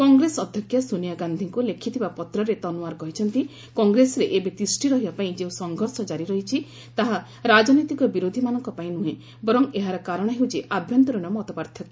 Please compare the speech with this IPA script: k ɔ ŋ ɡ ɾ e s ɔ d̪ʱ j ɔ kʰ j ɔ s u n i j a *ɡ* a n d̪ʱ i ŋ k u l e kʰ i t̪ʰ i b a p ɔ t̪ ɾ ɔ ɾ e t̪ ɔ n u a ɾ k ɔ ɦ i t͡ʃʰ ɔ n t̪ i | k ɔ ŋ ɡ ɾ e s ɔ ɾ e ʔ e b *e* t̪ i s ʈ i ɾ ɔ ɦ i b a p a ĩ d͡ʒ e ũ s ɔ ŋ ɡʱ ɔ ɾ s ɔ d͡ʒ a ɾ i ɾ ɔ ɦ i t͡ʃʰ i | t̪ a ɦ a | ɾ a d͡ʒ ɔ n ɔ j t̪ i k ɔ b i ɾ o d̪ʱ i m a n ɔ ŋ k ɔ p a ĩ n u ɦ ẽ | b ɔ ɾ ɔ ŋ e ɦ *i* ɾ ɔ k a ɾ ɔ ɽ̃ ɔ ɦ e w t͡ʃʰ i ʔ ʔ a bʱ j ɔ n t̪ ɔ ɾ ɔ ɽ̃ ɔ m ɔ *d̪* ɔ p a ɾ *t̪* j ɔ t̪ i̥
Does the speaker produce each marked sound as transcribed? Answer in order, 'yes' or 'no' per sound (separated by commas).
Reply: yes, yes, no, no, no